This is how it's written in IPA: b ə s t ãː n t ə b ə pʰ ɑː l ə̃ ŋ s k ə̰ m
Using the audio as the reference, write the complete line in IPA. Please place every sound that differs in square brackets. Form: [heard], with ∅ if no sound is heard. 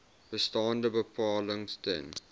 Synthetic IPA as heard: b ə s t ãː n [d] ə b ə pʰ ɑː l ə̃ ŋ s [t] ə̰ [n]